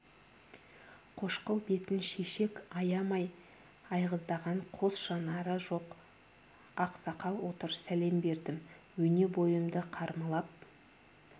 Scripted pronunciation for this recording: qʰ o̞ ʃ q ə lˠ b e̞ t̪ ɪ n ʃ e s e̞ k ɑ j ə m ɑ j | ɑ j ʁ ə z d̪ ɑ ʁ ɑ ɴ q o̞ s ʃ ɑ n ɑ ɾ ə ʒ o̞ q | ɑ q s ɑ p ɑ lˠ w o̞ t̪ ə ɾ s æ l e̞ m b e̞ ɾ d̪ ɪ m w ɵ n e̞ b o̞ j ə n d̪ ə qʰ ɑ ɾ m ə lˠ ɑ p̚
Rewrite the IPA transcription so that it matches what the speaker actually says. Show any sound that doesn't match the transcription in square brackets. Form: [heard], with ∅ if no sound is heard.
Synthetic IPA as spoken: qʰ o̞ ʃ q ə lˠ b e̞ t̪ ɪ n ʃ e [ʃ] e̞ k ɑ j [ɑ] m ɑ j | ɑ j ʁ ə z d̪ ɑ ʁ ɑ ɴ [qʰ] o̞ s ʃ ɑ n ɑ ɾ ə ʒ o̞ q | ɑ q s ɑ [q] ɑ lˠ w o̞ t̪ ə ɾ s æ l e̞ m b e̞ ɾ d̪ ɪ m w ɵ n e̞ b o̞ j ə [m] d̪ ə qʰ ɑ ɾ m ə lˠ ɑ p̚